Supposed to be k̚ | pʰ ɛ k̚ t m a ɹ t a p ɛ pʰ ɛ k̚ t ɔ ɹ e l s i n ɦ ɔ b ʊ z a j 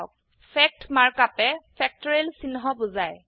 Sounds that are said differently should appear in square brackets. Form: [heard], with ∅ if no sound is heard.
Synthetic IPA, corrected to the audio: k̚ | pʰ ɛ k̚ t m a ɹ [k] a p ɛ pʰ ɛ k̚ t ɔ ɹ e l s i n ɦ ɔ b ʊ z a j